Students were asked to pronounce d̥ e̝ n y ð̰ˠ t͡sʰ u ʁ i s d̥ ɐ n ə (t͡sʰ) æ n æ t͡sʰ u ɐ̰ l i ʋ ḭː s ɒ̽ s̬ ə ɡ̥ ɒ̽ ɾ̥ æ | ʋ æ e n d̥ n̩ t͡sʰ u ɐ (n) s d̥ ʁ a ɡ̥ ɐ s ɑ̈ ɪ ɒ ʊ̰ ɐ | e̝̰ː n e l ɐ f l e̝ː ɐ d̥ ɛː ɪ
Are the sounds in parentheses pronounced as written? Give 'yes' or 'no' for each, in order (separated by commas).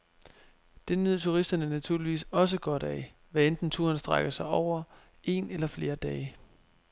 no, yes